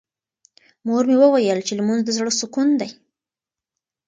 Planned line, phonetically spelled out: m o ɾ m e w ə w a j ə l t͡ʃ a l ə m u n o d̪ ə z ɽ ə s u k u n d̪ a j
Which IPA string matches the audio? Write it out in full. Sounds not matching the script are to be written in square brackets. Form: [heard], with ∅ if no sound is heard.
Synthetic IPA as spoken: m o ɾ m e w ə w a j ə l t͡ʃ [e] l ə m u n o d̪ ə z ɽ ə s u k u n d̪ a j